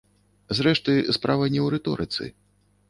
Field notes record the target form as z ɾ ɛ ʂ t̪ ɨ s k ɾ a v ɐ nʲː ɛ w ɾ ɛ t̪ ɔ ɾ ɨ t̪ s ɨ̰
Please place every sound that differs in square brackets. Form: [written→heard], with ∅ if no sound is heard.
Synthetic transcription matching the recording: z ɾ ɛ ʂ t̪ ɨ s [k→p] ɾ a v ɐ [nʲː→nʲ] ɛ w ɾ ɛ t̪ ɔ ɾ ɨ t̪ s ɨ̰